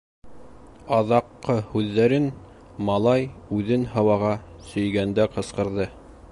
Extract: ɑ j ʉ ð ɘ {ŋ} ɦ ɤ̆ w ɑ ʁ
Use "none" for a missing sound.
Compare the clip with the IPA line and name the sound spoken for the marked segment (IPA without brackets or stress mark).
n